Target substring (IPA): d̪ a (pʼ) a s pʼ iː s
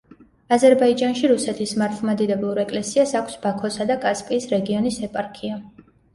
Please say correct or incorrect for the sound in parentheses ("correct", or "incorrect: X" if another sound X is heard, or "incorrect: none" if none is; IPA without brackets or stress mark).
incorrect: kʼ